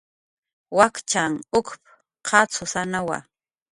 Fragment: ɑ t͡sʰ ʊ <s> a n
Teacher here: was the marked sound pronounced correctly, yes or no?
yes